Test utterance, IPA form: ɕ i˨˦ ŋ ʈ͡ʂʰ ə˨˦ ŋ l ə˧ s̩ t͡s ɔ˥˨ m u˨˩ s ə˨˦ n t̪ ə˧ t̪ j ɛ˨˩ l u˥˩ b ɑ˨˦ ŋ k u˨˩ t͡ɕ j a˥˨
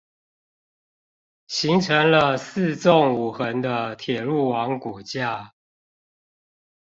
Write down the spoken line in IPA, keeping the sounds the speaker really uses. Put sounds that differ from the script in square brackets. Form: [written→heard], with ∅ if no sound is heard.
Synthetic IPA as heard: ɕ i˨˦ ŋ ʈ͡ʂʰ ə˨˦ ŋ l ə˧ s̩ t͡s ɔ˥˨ [m→ŋ] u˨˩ [s→x] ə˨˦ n [t̪→d̪] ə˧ [t̪→t̪ʰ] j ɛ˨˩ l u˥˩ [b→w] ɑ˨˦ ŋ k u˨˩ t͡ɕ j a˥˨